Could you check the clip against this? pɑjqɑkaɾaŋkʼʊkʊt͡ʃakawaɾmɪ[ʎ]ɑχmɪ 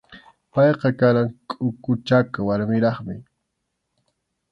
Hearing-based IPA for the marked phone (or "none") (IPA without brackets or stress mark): ɾ